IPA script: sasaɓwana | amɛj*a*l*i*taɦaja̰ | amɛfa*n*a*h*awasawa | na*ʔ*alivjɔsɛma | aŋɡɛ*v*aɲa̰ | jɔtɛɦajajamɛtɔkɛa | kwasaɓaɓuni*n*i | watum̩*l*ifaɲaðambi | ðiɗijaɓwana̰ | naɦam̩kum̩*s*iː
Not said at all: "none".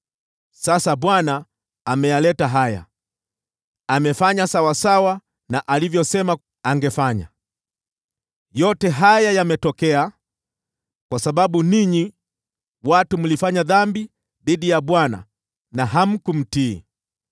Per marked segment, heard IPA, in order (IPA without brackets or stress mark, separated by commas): a, ɛ, ɲ, s, ʔ, f, ɲ, l, t